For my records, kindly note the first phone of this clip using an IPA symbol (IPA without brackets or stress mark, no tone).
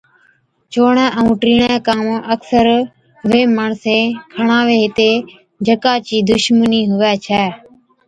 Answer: t͡ʃ